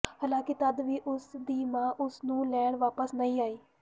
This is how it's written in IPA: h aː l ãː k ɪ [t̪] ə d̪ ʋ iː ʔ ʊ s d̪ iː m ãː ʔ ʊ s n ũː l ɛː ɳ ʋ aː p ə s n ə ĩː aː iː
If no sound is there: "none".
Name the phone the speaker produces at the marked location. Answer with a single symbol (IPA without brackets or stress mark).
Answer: t̪